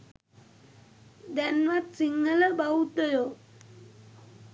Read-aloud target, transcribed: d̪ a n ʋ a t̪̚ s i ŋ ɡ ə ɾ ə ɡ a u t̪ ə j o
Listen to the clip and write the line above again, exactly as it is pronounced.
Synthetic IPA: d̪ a n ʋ a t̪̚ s i ŋ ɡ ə l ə b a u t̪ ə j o